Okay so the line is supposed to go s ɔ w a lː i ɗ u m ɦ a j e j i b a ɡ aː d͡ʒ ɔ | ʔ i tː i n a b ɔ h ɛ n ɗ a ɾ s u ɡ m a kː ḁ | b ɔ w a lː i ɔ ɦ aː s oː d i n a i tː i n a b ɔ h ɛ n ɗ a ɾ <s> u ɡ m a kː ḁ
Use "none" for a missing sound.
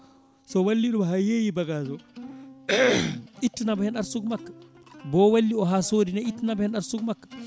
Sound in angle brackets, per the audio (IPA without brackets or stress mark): s